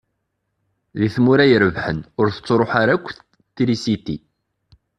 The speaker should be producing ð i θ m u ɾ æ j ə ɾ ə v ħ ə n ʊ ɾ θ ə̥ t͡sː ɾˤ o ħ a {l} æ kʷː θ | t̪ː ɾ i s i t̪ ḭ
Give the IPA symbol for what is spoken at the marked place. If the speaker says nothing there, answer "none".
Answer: ɾ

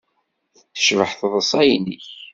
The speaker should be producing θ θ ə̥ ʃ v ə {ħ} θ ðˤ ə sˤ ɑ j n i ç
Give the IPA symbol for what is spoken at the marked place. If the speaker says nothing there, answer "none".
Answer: ħ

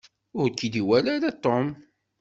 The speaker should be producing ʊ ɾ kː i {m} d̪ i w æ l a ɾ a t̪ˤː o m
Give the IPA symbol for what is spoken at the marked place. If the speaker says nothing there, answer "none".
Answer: none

